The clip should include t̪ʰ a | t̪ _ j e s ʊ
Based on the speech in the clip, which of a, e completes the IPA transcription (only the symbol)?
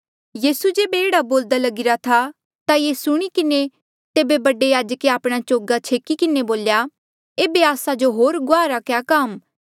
a